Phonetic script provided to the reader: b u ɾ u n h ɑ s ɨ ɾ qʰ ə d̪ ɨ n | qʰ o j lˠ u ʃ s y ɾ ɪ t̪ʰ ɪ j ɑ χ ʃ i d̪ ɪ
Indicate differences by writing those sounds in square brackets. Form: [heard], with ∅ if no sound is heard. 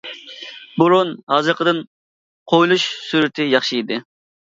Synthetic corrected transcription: b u ɾ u n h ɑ [z] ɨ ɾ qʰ ə d̪ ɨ n | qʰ o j lˠ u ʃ s y ɾ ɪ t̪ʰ ɪ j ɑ χ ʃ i d̪ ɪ